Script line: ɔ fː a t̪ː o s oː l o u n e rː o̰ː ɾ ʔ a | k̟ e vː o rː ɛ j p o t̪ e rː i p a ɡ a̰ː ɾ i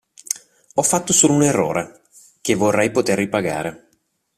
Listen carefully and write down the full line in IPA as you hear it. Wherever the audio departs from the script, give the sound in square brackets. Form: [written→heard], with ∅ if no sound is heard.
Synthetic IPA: ɔ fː a t̪ː o s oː l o u n e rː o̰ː ɾ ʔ [a→e] | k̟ e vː o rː ɛ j p o t̪ e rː i p a ɡ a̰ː ɾ [i→e]